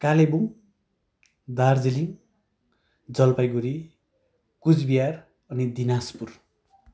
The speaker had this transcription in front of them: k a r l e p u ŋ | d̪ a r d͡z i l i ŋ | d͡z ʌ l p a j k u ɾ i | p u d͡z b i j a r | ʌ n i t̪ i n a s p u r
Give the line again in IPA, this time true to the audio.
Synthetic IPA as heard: k a l e b u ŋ | d̪ a r d͡z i l i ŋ | d͡z ʌ l p a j ɡ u ɾ i | k u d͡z b i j a r | ʌ n i d̪ i n a s p u r

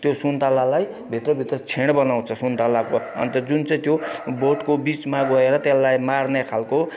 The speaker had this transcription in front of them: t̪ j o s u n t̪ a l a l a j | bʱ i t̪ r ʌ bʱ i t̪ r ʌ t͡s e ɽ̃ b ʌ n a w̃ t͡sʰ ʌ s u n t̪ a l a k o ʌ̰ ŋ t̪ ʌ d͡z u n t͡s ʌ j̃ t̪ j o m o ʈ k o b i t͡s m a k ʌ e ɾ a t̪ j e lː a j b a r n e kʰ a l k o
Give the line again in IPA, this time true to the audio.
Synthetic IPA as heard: t̪ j o s u n t̪ a l a l a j | bʱ i t̪ r ʌ bʱ i t̪ r ʌ t͡sʰ e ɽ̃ b ʌ n a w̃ t͡sʰ ʌ s u n t̪ a l a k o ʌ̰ n t̪ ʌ d͡z u n t͡s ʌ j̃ t̪ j o b o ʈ k o b i t͡s m a ɡ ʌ e ɾ ʌ t̪ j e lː a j m a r n e kʰ a l k o

